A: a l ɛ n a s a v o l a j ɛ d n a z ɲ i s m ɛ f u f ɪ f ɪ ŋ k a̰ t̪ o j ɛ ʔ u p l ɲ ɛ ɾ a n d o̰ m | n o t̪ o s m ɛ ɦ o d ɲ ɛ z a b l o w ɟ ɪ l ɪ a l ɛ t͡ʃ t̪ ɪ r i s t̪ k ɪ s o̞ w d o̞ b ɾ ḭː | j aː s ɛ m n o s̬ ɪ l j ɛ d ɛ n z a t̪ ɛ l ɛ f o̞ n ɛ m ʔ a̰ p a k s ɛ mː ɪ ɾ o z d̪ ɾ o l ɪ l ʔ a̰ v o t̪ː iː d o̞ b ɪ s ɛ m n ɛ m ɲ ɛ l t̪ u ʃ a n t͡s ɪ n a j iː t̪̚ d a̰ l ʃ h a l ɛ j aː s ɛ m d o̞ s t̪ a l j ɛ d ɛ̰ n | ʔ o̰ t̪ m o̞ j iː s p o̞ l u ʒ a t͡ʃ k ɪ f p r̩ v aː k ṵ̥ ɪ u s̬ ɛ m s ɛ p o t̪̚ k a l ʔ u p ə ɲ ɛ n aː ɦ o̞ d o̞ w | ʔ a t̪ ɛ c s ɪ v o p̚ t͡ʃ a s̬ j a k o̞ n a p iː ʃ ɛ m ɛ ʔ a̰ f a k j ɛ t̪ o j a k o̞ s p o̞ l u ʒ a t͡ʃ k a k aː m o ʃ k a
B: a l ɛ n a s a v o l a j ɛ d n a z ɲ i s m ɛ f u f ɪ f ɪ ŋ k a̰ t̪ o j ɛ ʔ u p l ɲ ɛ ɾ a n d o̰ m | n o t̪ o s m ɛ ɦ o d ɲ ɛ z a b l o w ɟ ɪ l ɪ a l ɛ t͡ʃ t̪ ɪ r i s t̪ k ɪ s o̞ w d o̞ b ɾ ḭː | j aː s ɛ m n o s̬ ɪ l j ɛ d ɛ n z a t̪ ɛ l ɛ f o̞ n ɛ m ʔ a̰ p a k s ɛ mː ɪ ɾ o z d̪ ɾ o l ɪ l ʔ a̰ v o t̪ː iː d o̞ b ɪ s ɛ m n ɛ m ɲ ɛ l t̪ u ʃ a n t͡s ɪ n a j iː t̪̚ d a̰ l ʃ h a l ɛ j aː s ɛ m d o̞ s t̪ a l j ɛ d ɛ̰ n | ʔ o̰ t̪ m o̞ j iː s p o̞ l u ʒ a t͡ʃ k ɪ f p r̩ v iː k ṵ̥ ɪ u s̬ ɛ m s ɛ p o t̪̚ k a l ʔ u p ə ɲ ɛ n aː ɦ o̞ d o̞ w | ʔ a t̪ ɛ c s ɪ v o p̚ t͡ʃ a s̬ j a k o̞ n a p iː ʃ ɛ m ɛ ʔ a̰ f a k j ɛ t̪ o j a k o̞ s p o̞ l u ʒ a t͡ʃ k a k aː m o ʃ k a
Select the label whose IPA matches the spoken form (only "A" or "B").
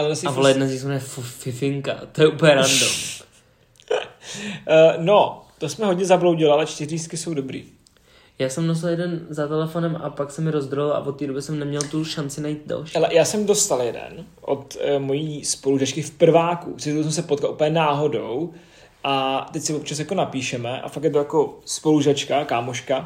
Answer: A